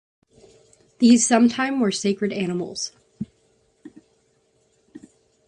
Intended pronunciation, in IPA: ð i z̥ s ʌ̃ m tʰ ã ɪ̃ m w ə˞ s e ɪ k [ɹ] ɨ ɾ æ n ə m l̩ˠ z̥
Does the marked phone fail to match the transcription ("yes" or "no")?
no